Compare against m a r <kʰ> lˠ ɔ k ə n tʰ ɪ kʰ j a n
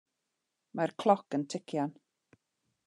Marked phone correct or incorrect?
correct